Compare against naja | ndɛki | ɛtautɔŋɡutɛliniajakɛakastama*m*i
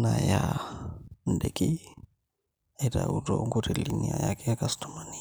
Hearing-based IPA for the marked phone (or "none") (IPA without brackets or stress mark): n